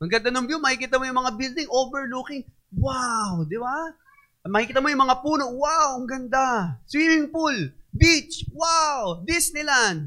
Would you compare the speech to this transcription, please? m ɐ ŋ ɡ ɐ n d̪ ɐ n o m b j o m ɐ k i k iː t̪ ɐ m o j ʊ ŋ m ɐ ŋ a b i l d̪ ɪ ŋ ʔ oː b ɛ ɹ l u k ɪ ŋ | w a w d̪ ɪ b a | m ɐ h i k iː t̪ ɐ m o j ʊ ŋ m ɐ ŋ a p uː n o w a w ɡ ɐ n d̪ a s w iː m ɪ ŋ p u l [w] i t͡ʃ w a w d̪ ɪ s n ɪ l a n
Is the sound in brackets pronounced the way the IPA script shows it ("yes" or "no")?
no